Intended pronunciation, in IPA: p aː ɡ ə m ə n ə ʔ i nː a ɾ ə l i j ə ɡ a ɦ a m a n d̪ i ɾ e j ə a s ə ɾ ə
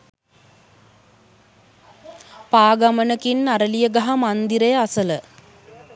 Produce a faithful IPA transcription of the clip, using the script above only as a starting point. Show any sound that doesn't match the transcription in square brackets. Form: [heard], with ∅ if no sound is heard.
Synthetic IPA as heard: p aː ɡ [a] m ə n ə [k] i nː a ɾ ə l i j ə ɡ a ɦ a m a n d̪ i ɾ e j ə a s ə [l] ə